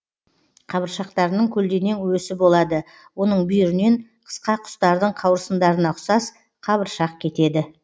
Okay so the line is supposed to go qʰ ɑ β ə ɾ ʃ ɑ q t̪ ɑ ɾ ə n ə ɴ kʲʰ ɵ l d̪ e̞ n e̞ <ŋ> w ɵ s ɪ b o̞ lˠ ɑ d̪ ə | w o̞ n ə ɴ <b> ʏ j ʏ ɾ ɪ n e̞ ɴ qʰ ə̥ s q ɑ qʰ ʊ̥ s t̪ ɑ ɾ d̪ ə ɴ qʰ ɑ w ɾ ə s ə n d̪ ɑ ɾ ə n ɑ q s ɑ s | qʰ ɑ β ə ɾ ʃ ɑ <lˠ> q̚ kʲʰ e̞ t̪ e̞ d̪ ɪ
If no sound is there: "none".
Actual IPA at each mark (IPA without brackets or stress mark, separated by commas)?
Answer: ŋ, b, none